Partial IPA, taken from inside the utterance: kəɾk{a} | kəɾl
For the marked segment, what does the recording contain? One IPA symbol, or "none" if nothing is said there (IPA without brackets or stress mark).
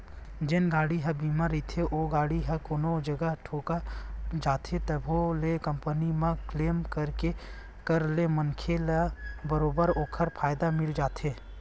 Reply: e